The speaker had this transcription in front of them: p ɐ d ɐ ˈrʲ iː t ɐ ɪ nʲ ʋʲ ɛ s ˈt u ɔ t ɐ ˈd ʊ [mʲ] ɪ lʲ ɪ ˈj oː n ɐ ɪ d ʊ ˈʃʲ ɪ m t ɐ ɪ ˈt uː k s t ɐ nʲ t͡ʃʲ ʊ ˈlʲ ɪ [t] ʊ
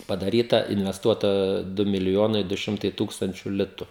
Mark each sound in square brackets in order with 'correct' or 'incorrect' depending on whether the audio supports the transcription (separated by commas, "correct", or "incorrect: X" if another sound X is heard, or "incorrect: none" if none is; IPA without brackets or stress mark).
correct, correct